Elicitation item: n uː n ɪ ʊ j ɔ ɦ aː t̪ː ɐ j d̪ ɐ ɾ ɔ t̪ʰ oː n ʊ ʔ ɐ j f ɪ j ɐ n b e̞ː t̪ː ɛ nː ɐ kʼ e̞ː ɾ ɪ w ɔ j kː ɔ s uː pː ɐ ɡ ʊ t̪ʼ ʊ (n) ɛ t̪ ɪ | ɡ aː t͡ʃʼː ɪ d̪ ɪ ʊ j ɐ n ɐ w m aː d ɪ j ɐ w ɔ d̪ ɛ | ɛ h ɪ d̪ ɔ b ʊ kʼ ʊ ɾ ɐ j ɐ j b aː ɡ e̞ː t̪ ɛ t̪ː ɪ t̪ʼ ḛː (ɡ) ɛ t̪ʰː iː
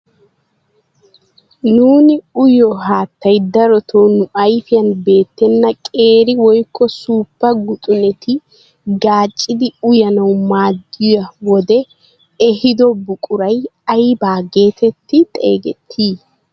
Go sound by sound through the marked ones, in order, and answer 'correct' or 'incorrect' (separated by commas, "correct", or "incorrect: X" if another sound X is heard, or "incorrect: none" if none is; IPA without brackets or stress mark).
correct, correct